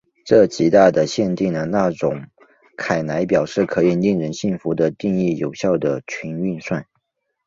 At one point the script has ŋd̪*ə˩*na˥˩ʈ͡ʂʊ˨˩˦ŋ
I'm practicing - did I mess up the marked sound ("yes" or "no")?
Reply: no